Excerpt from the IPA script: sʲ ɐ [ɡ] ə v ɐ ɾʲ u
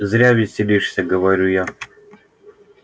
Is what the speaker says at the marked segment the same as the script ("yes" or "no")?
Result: yes